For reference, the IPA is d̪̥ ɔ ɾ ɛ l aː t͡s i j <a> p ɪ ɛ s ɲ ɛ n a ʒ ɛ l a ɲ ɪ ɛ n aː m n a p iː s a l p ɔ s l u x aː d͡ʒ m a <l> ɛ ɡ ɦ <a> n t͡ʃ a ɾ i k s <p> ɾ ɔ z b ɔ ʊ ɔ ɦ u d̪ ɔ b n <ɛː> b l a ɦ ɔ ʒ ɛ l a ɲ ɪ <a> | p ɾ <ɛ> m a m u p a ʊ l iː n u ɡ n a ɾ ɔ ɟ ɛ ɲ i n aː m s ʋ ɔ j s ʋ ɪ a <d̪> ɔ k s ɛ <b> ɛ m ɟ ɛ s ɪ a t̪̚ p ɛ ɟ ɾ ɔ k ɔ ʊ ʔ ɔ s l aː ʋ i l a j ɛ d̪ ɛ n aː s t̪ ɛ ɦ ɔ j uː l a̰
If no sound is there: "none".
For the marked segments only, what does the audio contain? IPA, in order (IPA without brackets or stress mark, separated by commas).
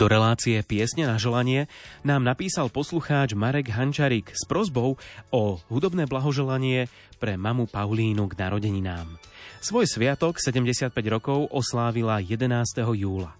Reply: ɛ, ɾ, a, p, ɛː, ɛ, ɛ, t̪, ɟ